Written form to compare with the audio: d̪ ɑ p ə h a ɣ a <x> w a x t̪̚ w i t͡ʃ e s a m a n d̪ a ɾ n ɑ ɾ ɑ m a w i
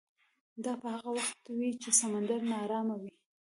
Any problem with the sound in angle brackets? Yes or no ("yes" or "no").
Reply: yes